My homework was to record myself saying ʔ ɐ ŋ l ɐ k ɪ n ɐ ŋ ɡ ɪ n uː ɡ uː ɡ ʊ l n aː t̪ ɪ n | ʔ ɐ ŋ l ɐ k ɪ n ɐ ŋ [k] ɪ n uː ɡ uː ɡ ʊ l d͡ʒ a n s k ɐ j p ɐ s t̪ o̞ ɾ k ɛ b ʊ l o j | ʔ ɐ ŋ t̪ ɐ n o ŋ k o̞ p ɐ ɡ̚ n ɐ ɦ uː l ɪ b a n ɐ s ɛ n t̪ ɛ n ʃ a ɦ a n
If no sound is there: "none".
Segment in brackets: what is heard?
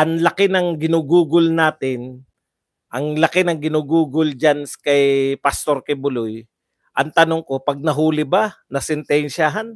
ɡ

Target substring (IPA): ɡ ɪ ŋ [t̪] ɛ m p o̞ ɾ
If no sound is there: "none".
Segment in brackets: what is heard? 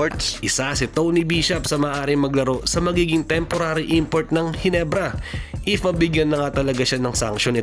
t̪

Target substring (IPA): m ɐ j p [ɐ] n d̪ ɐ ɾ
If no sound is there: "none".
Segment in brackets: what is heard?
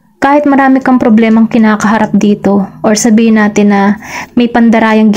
ɐ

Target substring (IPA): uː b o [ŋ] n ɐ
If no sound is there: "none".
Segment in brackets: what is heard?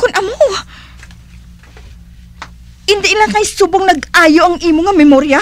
ŋ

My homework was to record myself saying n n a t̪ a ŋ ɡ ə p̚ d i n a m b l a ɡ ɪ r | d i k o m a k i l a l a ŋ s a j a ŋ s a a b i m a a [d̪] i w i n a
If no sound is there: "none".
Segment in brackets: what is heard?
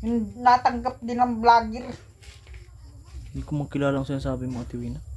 t̪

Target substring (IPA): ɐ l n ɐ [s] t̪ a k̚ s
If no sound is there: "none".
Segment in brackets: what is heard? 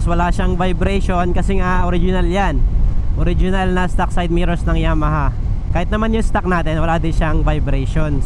s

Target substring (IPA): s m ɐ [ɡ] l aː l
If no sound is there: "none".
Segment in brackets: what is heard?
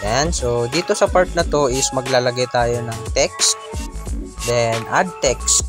ɡ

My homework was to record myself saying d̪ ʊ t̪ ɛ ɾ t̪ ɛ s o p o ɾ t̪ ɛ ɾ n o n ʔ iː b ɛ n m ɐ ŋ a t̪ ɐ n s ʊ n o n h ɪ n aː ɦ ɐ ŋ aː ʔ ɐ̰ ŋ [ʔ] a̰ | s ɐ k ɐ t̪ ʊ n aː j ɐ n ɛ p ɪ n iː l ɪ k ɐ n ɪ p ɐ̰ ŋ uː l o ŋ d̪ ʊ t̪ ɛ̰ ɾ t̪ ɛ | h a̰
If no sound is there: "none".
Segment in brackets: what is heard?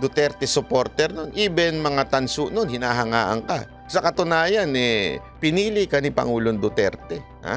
k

